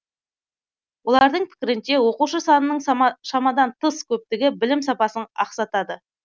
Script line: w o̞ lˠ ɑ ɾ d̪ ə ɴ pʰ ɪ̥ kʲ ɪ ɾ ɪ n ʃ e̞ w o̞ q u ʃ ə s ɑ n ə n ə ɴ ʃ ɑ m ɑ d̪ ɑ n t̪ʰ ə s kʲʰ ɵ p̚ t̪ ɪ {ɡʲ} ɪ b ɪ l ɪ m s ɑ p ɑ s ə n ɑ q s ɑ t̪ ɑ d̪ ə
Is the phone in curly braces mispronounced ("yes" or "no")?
no